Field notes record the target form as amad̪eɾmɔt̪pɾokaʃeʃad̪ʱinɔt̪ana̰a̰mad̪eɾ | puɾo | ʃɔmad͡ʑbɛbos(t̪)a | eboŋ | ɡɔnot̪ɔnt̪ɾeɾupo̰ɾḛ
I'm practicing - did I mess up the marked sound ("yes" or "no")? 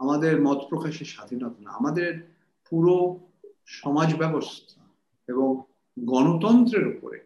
yes